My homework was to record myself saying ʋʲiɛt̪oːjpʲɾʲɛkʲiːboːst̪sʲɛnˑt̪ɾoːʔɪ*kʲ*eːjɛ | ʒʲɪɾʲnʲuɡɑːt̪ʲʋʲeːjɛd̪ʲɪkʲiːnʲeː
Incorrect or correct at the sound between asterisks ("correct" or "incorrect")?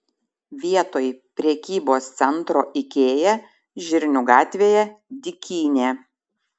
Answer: correct